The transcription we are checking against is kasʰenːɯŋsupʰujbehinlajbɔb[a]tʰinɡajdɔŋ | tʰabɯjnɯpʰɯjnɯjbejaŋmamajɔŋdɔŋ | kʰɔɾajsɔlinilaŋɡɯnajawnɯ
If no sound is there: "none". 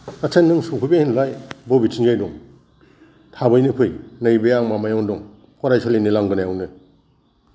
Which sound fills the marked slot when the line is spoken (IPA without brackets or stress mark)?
i